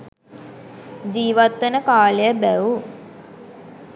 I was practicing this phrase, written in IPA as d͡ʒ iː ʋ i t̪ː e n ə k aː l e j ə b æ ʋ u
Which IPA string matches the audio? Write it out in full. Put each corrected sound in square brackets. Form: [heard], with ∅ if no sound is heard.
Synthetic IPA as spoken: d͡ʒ iː ʋ [a] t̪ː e n ə k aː l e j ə b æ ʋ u